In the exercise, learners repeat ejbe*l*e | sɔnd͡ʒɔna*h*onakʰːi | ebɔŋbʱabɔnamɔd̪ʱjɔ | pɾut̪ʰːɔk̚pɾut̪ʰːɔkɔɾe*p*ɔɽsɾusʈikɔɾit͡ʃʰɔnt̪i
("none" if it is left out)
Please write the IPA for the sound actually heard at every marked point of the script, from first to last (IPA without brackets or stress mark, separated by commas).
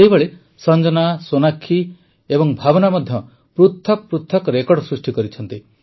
ɭ, s, k